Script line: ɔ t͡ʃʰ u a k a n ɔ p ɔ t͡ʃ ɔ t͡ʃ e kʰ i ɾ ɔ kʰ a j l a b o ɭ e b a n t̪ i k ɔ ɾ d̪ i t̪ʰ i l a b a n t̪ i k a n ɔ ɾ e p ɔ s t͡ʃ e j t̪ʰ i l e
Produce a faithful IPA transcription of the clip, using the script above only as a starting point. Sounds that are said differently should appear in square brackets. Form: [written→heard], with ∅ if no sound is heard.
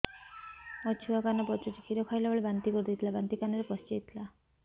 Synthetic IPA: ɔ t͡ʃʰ u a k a n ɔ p ɔ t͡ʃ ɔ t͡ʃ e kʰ i ɾ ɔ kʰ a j l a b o ɭ e b a n t̪ i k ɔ ɾ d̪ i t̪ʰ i l a b a n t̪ i k a n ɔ ɾ e p ɔ s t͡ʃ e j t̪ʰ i l [e→a]